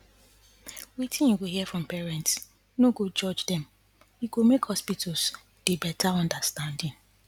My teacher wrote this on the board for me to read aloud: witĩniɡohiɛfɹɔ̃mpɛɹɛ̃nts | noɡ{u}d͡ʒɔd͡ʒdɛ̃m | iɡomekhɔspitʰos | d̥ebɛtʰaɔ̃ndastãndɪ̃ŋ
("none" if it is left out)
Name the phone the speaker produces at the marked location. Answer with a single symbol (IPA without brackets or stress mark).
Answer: o